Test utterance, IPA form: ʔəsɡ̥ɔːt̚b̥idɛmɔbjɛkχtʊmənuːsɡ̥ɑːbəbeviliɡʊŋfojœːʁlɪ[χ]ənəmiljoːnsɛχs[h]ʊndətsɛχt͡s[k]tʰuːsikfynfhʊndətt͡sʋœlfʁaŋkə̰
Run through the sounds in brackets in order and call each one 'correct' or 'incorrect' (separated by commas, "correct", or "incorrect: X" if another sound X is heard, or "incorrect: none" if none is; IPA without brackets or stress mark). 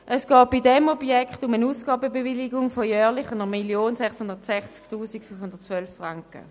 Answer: correct, correct, correct